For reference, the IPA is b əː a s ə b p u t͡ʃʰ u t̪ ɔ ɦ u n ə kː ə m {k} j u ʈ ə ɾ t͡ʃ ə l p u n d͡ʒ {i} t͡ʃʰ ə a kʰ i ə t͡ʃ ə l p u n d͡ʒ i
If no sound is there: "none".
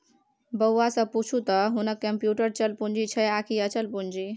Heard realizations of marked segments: p, i

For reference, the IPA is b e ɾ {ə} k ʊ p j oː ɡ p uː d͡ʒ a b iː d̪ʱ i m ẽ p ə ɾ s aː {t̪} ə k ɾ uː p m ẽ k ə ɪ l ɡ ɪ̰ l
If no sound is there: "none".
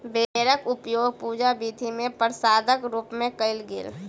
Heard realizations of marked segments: ə, d̪

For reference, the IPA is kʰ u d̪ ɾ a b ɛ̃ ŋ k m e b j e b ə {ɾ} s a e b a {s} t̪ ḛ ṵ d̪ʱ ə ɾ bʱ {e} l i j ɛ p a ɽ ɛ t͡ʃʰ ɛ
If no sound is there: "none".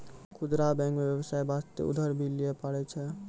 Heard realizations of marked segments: none, s, i

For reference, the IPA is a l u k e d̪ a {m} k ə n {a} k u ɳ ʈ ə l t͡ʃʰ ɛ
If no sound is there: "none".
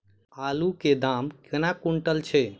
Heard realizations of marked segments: m, a

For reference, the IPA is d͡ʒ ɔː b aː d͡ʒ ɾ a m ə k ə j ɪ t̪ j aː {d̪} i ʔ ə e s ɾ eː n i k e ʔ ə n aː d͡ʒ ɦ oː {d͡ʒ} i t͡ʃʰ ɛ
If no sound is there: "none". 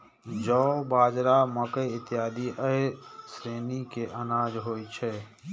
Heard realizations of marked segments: d̪, none

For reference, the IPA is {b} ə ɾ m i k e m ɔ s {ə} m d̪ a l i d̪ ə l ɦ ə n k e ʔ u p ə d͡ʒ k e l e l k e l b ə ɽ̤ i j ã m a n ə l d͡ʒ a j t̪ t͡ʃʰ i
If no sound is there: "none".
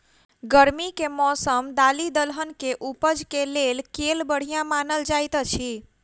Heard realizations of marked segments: ɡ, ə

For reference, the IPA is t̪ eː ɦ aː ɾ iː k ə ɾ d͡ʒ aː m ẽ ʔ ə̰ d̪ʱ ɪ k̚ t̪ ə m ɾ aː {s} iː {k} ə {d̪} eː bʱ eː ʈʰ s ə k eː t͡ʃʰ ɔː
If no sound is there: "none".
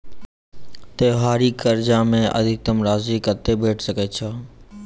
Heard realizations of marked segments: z, k, t̪

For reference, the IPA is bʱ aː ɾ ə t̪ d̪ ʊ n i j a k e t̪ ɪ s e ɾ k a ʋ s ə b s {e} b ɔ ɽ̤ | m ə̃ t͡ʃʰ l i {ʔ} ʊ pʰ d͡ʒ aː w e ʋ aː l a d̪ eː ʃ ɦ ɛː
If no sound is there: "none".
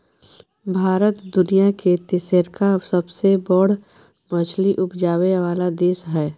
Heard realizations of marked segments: e, ʔ

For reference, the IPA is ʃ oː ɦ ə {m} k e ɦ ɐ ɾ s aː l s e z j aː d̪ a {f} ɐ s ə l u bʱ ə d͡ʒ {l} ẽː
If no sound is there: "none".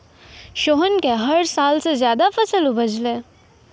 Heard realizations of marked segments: n, f, l

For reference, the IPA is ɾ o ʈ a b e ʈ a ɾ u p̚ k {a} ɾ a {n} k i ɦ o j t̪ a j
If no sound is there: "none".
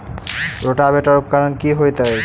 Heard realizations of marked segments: a, n

